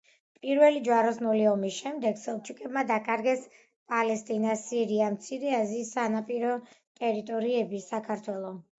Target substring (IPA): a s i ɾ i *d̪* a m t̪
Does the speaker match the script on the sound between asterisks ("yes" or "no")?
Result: no